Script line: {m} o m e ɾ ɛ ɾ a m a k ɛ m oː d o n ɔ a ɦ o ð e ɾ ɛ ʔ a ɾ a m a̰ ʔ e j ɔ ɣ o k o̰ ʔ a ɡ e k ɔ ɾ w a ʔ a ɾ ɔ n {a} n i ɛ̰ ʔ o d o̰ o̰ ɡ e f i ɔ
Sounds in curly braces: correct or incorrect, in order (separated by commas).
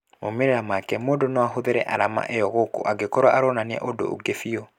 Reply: correct, correct